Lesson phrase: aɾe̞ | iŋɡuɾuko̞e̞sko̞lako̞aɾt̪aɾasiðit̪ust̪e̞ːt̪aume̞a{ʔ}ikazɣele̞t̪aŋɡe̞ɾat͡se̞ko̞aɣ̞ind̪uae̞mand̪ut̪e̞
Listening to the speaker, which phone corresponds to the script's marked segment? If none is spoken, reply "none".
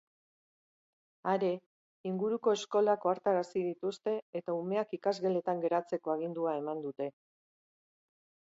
k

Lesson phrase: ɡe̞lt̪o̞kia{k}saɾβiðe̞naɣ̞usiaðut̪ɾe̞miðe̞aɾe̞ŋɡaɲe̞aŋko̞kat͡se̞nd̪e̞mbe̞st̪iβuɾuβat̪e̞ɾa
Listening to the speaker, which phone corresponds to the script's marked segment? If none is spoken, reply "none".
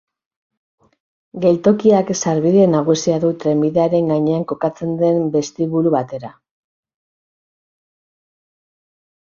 k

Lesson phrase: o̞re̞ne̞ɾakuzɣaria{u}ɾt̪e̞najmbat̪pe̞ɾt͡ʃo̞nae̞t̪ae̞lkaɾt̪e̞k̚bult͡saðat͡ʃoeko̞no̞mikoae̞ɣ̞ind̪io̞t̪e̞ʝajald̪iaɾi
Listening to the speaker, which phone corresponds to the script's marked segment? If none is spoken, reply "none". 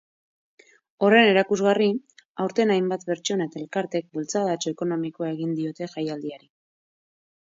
w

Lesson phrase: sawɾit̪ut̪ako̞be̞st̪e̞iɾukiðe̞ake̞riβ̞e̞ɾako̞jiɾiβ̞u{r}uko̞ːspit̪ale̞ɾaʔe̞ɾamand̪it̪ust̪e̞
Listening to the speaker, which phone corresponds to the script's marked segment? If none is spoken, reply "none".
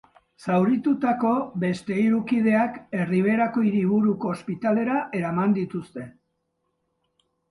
ɾ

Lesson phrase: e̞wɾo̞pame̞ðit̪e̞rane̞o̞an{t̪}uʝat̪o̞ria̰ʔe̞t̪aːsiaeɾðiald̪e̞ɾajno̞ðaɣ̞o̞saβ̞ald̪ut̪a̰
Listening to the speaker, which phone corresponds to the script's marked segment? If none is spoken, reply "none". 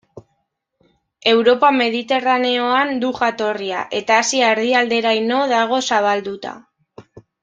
d̪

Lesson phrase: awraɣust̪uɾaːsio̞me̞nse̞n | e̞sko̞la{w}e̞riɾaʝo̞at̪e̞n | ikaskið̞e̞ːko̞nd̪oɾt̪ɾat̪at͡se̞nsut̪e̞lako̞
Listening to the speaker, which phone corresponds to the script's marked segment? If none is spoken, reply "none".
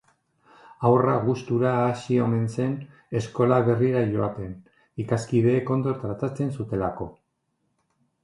β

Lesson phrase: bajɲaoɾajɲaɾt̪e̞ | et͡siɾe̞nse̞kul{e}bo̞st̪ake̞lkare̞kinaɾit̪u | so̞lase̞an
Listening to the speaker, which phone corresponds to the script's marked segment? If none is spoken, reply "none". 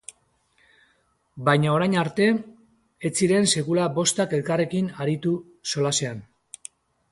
a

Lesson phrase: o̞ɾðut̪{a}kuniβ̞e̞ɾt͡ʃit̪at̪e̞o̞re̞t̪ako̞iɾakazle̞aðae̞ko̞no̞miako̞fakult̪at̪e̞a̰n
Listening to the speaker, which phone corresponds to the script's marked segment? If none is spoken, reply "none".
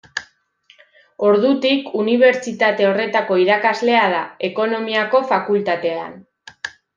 i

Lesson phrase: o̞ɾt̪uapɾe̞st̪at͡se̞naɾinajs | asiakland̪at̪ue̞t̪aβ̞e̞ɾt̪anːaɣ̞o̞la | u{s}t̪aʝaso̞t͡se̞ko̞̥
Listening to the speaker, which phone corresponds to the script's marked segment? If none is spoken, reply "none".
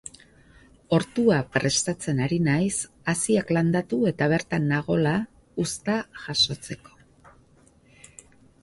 s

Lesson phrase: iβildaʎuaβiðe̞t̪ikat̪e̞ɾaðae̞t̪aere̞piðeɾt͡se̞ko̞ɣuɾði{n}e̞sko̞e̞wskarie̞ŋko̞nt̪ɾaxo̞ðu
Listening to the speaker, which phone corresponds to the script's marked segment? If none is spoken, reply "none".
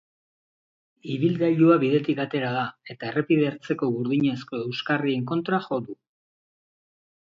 ɲ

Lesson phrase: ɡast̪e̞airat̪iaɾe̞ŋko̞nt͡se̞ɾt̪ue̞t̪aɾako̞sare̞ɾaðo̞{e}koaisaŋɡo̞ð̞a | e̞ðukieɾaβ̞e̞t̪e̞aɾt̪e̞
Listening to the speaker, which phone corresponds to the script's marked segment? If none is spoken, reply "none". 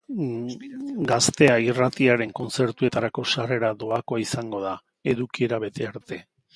a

